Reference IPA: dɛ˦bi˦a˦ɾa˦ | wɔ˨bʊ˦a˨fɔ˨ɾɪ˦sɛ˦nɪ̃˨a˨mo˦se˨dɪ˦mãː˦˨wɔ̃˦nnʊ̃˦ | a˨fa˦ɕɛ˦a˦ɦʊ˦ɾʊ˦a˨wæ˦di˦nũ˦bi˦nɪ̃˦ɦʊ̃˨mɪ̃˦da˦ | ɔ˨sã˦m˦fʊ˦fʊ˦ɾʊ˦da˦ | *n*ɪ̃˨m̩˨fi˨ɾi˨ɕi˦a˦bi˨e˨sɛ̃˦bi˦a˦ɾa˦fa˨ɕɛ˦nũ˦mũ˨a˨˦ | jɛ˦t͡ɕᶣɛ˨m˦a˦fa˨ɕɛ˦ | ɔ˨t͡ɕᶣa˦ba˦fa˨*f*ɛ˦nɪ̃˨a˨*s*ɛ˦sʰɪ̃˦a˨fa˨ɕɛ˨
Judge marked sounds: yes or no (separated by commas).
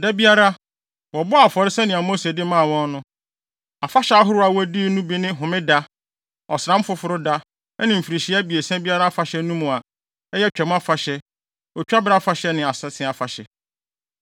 yes, no, yes